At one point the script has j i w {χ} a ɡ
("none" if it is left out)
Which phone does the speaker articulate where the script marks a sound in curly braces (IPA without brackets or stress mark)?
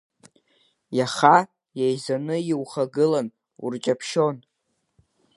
χ